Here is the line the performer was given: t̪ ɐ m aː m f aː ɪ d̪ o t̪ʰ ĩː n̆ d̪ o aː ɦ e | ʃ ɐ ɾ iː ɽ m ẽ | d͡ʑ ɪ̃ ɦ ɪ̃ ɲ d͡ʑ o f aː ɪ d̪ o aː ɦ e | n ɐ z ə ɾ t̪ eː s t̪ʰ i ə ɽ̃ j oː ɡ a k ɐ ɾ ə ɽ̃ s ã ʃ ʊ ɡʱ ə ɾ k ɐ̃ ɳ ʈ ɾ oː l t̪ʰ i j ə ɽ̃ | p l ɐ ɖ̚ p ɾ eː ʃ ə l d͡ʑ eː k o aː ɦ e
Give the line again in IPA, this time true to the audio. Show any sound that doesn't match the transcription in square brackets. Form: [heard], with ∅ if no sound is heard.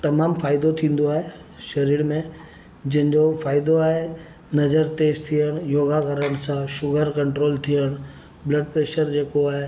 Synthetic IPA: t̪ ɐ m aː m f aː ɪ d̪ o t̪ʰ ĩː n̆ d̪ o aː ɦ e | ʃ ɐ ɾ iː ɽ m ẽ | d͡ʑ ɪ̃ ɦ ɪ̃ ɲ d͡ʑ o f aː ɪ d̪ o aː ɦ e | n ɐ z ə ɾ t̪ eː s t̪ʰ i ə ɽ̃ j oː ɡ a k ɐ ɾ ə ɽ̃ s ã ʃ ʊ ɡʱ ə ɾ k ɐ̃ ɳ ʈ ɾ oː l t̪ʰ i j ə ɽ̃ | [b] l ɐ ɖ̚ p ɾ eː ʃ ə [ɾ] d͡ʑ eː k o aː ɦ e

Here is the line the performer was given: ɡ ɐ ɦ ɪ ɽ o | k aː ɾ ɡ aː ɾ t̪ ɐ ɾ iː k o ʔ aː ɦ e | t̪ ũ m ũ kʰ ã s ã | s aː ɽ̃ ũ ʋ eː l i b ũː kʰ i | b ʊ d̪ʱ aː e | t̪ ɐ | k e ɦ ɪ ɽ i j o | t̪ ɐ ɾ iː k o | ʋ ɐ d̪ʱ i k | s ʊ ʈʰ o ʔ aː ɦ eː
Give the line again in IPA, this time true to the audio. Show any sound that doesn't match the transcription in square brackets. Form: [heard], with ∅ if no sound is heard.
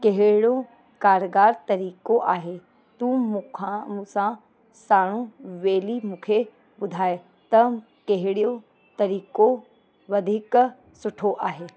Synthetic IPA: [k] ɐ ɦ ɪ ɽ o | k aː ɾ ɡ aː ɾ t̪ ɐ ɾ iː k o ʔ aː ɦ e | t̪ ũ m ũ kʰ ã s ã | s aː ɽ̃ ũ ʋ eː l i [m] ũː kʰ [e] | b ʊ d̪ʱ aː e | t̪ ɐ | k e ɦ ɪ ɽ i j o | t̪ ɐ ɾ iː k o | ʋ ɐ d̪ʱ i k | s ʊ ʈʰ o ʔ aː ɦ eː

